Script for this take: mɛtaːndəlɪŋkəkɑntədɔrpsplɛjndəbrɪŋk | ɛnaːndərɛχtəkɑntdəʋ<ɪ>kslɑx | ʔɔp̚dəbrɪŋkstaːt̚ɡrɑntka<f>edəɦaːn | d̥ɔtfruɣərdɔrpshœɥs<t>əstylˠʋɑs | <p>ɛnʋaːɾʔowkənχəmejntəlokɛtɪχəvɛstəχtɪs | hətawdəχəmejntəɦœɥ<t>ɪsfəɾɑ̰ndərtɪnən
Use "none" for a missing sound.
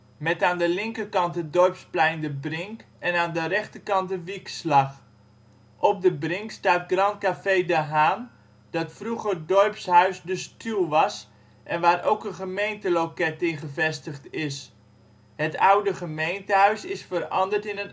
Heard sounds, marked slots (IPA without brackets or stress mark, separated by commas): i, f, d, ʔ, s